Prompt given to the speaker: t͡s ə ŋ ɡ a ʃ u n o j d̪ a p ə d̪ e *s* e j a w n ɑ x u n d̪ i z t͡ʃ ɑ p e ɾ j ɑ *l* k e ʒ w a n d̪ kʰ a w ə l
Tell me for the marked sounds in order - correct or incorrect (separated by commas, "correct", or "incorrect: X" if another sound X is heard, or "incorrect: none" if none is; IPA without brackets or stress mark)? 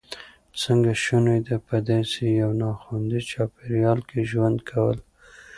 correct, correct